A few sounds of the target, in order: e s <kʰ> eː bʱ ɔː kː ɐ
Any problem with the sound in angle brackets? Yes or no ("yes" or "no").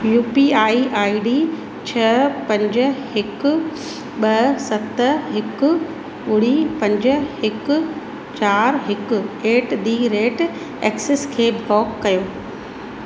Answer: no